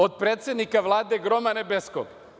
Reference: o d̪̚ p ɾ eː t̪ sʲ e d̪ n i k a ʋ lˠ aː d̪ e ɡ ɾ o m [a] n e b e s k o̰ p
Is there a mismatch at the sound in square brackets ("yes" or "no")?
no